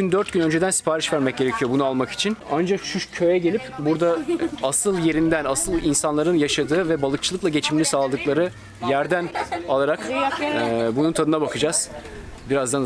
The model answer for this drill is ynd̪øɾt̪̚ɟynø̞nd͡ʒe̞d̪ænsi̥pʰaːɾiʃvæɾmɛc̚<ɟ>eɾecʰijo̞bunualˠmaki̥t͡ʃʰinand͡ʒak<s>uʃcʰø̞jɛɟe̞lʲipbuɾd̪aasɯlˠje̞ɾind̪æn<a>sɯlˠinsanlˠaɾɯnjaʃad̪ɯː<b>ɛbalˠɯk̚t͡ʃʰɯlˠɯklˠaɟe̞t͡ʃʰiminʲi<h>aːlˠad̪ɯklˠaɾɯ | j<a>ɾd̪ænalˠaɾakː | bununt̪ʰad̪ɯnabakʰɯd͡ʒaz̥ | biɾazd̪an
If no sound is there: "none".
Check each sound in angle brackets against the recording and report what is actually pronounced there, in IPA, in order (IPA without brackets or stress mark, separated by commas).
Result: ɟ, ʃ, a, v, s, æ